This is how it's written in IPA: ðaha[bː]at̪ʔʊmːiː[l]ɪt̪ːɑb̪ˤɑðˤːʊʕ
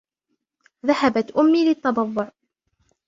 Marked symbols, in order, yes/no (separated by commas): no, yes